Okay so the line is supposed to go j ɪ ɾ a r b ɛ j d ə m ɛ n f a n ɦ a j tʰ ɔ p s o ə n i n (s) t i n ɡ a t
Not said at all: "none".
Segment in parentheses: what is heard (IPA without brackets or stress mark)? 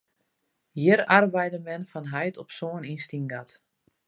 s